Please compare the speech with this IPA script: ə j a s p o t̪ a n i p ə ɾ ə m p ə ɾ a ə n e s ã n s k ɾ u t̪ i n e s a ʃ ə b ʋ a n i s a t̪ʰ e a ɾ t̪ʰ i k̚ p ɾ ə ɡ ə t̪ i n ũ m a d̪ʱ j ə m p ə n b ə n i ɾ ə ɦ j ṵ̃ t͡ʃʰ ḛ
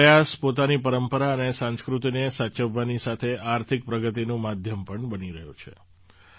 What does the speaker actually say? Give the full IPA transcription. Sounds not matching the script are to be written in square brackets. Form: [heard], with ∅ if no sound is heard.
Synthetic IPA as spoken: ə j a s p o t̪ a n i p ə ɾ ə m p ə ɾ a ə n e s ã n s k ɾ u t̪ i n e s a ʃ ə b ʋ a n i s a t̪ʰ e a ɾ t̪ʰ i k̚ p ɾ ə ɡ ə t̪ i n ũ m a d̪ʱ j ə m p ə [ɳ] b ə n i ɾ ə ɦ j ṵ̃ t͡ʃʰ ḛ